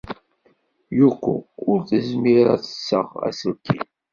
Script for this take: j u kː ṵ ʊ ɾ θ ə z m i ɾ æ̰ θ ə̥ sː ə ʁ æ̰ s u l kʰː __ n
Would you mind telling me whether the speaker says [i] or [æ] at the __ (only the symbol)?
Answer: i